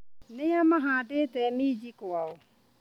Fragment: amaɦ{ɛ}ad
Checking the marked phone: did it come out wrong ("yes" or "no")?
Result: yes